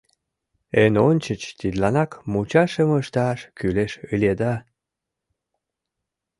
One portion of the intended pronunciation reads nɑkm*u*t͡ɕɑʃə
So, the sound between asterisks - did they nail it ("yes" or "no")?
yes